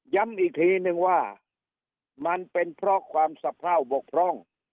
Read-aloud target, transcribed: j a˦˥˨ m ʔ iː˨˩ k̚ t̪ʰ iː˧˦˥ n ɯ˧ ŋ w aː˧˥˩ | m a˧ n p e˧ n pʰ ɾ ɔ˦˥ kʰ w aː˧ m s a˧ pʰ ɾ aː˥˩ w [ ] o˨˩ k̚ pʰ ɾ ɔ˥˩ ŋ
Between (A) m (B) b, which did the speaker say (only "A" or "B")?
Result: B